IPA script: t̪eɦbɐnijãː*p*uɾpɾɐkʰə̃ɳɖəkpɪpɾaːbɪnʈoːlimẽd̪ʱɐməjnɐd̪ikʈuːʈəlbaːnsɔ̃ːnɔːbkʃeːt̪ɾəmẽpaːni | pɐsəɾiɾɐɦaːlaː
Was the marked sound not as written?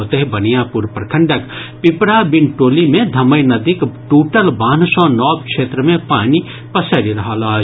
no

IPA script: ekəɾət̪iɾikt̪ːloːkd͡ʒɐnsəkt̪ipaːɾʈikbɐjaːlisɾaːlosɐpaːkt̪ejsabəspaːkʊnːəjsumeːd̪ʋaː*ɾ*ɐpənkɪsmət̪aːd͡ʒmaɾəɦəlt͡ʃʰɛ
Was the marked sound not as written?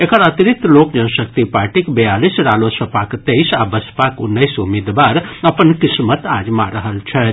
no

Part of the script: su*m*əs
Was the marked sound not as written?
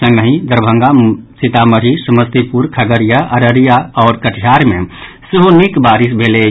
no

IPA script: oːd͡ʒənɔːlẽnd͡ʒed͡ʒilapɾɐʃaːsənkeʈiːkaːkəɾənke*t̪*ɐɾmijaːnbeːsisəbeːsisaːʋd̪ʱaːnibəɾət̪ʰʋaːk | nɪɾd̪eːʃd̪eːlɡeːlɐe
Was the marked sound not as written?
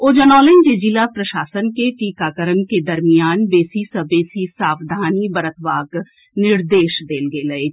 yes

